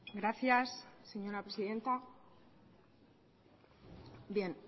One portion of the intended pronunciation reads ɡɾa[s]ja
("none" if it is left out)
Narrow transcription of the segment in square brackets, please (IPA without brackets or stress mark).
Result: θ